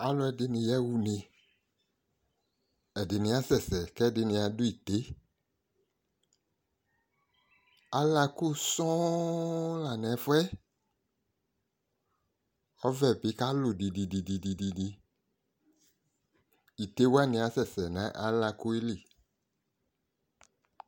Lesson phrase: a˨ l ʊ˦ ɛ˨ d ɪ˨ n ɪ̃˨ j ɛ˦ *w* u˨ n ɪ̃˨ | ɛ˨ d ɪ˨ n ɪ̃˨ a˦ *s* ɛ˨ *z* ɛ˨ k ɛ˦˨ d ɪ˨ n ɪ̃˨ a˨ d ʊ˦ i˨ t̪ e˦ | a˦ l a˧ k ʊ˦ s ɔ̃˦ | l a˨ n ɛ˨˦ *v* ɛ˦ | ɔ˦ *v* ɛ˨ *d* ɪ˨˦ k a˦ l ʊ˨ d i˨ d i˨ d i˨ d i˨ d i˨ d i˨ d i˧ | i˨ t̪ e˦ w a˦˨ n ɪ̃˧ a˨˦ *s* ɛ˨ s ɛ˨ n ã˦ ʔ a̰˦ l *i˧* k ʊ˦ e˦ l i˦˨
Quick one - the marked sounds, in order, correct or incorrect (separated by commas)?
correct, correct, incorrect, incorrect, correct, incorrect, correct, incorrect